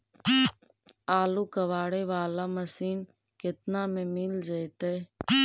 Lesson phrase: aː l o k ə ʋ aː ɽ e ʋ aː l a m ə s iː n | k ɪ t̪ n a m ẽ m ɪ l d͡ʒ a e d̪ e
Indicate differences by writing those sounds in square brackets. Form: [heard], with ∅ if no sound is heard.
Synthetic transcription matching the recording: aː l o k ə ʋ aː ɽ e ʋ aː l a m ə s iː n | k ɪ t̪ n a m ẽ m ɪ l d͡ʒ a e [t̪] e